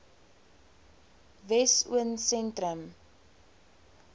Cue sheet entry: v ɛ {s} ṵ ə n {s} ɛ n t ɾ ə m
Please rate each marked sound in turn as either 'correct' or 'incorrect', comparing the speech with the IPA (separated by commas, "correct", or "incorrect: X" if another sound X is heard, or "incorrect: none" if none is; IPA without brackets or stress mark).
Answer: correct, correct